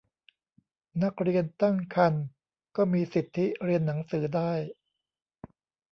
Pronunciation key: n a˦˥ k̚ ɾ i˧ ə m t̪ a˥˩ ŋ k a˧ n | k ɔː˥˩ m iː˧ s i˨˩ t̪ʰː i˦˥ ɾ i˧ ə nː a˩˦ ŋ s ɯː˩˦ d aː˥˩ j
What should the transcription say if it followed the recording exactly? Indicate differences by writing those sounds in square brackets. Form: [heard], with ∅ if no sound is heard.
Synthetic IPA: n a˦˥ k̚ ɾ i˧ ə [n] t̪ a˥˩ ŋ [kʰ] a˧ n | k ɔː˥˩ m iː˧ s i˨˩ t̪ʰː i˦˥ ɾ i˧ ə nː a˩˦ ŋ s ɯː˩˦ d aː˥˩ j